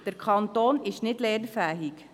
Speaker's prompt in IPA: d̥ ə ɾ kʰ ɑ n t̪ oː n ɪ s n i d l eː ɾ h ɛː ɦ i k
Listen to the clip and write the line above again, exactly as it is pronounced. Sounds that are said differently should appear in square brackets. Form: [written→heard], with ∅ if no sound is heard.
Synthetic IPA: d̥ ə ɾ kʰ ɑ n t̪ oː n ɪ [s→ʃ] n [i→ɪ] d l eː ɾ [h→f] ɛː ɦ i k